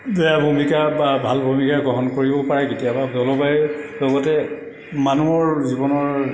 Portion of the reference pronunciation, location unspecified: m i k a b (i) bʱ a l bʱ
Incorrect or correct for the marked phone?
incorrect: a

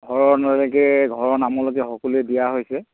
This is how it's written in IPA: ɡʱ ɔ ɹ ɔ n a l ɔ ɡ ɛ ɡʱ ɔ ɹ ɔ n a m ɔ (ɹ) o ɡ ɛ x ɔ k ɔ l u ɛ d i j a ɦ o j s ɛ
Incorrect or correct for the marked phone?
incorrect: l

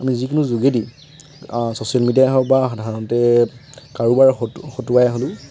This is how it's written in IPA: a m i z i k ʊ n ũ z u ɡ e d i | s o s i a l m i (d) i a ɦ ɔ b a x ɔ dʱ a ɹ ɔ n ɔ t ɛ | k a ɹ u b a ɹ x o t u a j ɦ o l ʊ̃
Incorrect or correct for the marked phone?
correct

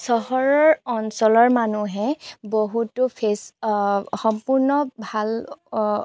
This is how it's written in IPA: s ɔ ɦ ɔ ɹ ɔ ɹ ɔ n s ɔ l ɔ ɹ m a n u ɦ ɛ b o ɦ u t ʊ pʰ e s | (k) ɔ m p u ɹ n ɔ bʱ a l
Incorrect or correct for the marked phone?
incorrect: x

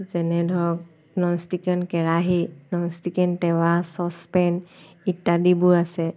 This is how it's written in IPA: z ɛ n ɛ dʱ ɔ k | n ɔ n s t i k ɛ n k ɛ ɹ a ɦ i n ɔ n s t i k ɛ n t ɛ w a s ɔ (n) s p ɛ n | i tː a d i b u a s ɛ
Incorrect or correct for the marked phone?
incorrect: none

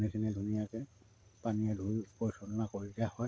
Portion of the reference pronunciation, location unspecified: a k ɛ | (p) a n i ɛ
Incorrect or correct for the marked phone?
correct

